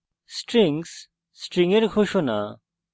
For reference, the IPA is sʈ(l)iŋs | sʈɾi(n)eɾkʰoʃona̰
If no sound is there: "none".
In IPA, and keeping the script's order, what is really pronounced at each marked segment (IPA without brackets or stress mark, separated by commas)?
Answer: ɾ, ŋ